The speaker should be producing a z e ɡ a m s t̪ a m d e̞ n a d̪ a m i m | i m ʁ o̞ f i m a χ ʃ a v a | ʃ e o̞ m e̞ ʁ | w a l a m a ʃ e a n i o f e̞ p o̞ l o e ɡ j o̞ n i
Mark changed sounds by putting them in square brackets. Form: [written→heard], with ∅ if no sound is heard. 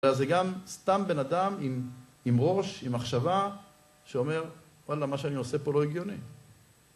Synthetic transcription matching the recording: a z e ɡ a m s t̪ a m [d→b] e̞ n a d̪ a m i m | i m ʁ o̞ [f→ʃ] i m a χ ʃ a v a | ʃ e o̞ m e̞ ʁ | w a l a m a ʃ e a n i o [f→s] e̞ p o̞ l o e ɡ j o̞ n i